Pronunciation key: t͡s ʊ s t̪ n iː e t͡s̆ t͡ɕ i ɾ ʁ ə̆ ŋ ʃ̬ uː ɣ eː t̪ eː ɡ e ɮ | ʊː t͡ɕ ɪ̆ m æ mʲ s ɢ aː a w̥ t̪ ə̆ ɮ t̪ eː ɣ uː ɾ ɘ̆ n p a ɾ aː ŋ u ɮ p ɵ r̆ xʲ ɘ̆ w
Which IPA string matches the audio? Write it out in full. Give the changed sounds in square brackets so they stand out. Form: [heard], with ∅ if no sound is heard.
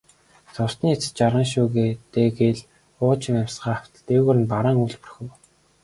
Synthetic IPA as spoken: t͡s ʊ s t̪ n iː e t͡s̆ t͡ɕ [a] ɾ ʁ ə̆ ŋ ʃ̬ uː ɣ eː t̪ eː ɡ e ɮ | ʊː t͡ɕ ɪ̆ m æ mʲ s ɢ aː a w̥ t̪ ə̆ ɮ t̪ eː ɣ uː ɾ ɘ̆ n p a ɾ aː ŋ u ɮ p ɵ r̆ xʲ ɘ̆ w